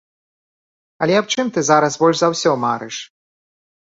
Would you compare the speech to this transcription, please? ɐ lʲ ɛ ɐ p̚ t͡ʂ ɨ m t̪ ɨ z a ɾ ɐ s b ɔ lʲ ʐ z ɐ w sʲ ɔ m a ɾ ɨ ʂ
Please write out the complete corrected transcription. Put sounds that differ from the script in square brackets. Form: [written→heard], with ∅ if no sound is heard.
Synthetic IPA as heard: ɐ lʲ ɛ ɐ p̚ t͡ʂ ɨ m t̪ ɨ z a ɾ ɐ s b ɔ lʲ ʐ z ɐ w sʲ ɔ m a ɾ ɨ ʂ

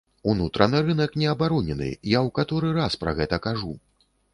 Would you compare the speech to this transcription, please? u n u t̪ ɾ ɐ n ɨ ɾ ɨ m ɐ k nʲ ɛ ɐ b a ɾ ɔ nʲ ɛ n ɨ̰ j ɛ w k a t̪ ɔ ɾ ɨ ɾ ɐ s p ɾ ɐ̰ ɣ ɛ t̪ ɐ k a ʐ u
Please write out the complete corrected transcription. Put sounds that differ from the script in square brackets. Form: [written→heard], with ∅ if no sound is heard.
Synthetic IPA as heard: u n u t̪ ɾ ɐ n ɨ ɾ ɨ [m→n] ɐ k nʲ ɛ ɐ b a ɾ ɔ nʲ ɛ n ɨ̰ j [ɛ→a] w k a t̪ ɔ ɾ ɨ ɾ [ɐ→a] s p ɾ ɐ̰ ɣ ɛ t̪ ɐ k a ʐ u

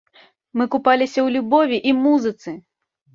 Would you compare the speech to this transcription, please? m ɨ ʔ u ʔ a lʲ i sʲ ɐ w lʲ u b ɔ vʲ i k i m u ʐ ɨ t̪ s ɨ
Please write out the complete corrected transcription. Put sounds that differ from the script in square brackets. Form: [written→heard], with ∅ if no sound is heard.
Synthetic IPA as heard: m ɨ [ʔ→k] u [ʔ→p] a lʲ i sʲ ɐ w lʲ u b ɔ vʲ i [k→ʔ] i m u [ʐ→z] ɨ t̪ s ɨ

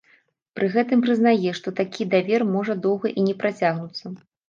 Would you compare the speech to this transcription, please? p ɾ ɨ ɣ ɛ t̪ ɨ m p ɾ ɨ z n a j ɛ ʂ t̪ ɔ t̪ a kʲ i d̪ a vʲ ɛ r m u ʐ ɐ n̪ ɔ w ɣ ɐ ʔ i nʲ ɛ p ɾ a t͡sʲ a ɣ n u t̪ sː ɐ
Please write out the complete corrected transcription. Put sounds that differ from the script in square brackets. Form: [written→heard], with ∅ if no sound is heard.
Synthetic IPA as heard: p ɾ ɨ ɣ ɛ t̪ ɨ m p ɾ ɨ z n a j ɛ ʂ t̪ ɔ t̪ a kʲ i d̪ a vʲ ɛ r m [u→ɔ] ʐ ɐ [n̪→d̪] ɔ w ɣ ɐ ʔ i nʲ ɛ p ɾ a t͡sʲ a ɣ n u t̪ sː ɐ

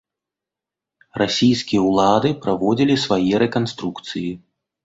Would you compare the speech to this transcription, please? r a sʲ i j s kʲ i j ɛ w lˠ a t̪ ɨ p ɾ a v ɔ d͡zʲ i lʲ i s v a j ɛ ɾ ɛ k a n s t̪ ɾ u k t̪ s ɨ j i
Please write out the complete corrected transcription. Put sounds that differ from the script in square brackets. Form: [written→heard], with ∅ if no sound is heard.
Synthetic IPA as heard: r a sʲ i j s kʲ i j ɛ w lˠ a [t̪→d̪] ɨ p ɾ a v ɔ d͡zʲ i lʲ i s v a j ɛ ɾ ɛ k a n s t̪ ɾ u k t̪ s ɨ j i

